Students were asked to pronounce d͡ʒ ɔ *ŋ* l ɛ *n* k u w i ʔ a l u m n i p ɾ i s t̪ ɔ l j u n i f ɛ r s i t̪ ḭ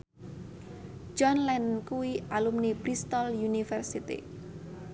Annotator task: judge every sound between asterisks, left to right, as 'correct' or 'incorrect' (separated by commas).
incorrect, correct